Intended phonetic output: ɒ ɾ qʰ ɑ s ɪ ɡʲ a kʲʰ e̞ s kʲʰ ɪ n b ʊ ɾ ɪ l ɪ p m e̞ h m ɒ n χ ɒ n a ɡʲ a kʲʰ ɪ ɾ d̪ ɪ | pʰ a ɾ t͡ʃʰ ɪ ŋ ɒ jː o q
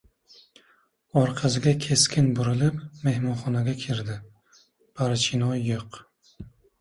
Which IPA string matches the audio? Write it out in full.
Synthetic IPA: ɒ ɾ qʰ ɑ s ɪ ɡʲ a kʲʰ e̞ s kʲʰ ɪ n b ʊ ɾ ɪ l ɪ p m e̞ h m ɒ n χ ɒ n a ɡʲ a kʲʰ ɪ ɾ d̪ ɪ | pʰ a ɾ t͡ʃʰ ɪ n ɒ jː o q